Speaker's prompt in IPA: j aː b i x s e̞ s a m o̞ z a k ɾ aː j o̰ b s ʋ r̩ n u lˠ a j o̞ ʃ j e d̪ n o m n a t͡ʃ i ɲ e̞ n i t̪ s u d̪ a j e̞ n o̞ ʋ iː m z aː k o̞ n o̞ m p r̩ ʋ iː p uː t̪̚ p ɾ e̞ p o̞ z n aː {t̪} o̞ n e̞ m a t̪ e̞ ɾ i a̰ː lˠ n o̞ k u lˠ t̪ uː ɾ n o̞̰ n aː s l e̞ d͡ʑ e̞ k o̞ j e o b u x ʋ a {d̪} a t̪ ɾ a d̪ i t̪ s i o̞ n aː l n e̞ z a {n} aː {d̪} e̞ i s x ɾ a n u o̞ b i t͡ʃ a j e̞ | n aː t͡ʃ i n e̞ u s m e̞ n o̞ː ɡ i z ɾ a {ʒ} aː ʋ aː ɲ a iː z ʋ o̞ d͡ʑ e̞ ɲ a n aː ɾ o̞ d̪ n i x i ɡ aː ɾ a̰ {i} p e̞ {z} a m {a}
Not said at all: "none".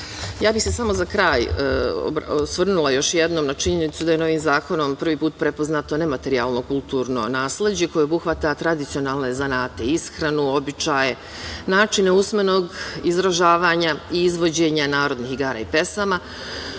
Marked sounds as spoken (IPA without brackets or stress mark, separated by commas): t̪, t̪, n, t̪, ʒ, i, s, a